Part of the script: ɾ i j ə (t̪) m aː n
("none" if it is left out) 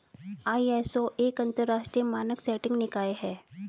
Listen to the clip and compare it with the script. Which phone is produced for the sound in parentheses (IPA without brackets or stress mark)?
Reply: none